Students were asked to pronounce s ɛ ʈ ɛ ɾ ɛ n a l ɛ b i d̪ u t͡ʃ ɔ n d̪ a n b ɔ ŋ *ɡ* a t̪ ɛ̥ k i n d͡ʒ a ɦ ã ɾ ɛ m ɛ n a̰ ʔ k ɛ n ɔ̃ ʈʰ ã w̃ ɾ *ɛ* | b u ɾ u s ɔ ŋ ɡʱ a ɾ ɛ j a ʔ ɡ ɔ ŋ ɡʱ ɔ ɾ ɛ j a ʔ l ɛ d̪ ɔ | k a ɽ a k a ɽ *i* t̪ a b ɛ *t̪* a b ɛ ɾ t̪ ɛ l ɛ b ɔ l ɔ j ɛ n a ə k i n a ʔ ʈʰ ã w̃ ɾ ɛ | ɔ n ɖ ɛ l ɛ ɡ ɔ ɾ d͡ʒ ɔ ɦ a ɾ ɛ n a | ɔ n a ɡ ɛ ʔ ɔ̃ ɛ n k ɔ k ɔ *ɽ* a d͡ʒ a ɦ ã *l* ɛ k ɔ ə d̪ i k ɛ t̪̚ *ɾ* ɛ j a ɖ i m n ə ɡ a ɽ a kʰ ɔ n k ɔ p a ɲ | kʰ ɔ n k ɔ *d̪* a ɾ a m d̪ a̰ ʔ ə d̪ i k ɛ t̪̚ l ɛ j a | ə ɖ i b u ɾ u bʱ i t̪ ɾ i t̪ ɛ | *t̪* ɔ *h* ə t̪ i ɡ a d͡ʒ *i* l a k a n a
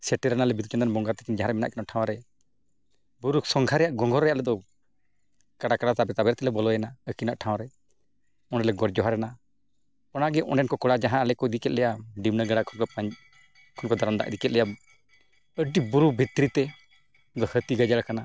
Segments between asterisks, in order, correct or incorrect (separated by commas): correct, correct, incorrect, correct, correct, correct, incorrect, correct, incorrect, correct, incorrect